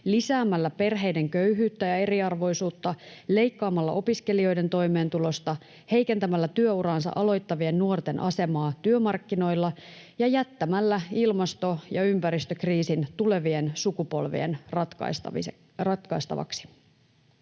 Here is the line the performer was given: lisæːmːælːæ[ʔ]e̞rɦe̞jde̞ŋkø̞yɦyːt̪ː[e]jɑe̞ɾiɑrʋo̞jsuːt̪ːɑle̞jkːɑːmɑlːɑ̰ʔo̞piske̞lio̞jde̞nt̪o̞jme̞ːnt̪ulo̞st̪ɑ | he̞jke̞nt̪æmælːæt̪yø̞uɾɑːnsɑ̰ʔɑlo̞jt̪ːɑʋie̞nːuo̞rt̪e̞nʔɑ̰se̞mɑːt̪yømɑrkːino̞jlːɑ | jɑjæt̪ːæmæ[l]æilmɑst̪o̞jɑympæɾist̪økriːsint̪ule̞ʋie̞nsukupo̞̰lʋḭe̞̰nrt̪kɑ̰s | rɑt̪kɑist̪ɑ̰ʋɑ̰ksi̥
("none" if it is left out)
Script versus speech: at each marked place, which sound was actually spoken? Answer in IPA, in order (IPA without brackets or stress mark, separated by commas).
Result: p, æ, lː